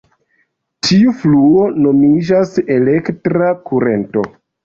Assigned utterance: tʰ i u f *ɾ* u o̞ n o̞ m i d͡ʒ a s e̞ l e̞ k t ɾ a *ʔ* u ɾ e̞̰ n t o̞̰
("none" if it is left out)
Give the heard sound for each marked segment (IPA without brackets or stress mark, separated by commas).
l, k